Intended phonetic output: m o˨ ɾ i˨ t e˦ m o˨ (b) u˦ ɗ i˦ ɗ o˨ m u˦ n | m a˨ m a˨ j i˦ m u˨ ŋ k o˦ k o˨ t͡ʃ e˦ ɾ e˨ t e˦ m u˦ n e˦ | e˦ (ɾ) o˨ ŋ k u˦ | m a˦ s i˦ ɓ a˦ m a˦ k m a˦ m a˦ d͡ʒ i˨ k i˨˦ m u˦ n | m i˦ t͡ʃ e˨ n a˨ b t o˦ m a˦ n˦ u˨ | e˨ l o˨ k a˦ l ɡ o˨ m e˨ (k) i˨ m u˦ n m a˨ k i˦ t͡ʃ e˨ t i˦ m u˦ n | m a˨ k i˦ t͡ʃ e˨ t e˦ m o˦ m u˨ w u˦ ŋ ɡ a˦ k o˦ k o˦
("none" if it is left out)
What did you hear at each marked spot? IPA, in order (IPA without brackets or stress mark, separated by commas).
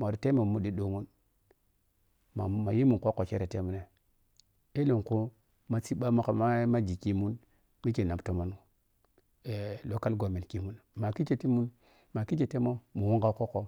m, l, k